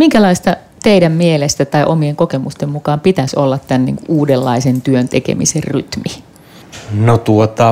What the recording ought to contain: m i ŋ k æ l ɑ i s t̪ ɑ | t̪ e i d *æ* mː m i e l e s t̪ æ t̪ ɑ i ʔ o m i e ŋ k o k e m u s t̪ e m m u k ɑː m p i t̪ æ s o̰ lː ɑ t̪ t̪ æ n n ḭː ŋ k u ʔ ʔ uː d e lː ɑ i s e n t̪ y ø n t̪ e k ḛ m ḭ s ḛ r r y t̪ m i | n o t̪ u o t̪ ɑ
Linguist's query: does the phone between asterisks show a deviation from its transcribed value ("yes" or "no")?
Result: no